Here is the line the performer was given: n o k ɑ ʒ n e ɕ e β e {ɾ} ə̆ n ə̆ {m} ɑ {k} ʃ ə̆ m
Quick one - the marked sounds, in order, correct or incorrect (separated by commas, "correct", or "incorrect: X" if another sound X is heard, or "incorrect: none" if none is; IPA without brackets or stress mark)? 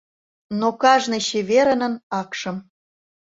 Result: correct, incorrect: n, correct